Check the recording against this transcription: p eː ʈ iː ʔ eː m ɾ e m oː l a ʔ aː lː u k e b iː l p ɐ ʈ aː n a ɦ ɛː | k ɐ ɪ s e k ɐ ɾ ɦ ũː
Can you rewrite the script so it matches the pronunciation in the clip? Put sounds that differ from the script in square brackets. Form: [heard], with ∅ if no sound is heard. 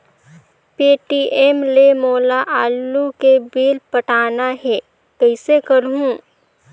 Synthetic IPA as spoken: p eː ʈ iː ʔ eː m [l] e m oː l a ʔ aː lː u k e b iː l p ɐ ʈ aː n a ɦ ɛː | k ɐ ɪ s e k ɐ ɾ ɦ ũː

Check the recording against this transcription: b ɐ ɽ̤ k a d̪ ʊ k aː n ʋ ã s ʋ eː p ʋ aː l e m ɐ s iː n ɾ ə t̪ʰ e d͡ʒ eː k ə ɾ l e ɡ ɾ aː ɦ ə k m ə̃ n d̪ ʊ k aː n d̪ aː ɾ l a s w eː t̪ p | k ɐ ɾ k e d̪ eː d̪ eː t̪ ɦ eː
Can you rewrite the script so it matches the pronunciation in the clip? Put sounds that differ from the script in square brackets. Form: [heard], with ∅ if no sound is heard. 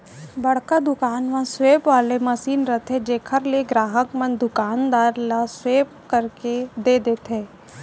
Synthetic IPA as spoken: b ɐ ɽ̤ k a d̪ ʊ k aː n ʋ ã s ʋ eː p ʋ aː l e m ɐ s iː n ɾ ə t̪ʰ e d͡ʒ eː [kʰ] ə ɾ l e ɡ ɾ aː ɦ ə k m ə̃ n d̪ ʊ k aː n d̪ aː ɾ l a s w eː [∅] p | k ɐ ɾ k e d̪ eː d̪ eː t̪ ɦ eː

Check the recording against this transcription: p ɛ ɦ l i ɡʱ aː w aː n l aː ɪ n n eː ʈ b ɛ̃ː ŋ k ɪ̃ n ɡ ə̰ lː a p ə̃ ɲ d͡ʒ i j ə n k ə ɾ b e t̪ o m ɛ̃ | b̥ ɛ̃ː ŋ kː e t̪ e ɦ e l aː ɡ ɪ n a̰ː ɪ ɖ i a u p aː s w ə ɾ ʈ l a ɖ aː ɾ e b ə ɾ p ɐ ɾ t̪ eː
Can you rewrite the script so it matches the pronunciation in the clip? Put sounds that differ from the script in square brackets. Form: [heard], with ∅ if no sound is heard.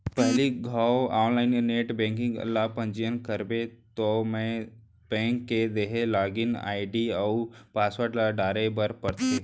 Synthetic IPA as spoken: p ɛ ɦ l i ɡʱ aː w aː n l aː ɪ n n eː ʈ b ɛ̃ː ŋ k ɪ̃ [ŋ] ɡ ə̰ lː a p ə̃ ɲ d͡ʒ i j ə n k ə ɾ b e t̪ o m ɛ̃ | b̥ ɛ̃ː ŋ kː e [d̪] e ɦ e l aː ɡ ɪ n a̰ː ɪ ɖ i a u p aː s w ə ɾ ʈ l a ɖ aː ɾ e b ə ɾ p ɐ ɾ t̪ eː

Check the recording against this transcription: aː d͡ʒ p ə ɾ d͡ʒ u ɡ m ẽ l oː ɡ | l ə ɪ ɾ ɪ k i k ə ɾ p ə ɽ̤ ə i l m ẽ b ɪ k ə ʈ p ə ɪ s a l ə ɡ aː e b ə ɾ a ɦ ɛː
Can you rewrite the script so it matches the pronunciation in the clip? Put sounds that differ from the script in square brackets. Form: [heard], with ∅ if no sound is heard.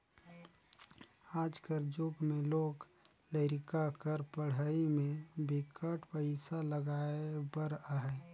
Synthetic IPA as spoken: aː d͡ʒ [k] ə ɾ d͡ʒ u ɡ m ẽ l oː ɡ | l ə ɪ ɾ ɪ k [a] k ə ɾ p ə ɽ̤ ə i [∅] m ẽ b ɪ k ə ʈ p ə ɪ s a l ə ɡ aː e b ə ɾ a ɦ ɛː

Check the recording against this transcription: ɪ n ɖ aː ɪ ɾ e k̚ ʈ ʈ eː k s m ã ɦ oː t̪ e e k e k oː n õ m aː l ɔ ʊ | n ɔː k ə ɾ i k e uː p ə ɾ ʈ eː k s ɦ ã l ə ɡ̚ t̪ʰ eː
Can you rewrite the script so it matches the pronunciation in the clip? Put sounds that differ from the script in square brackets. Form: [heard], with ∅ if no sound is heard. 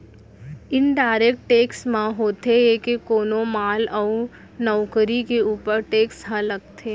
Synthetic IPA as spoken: ɪ n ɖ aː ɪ ɾ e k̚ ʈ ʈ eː k s m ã ɦ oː t̪ e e k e k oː n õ m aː l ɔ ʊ | n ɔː k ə ɾ i k e uː p ə ɾ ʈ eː k s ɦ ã l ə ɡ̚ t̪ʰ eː

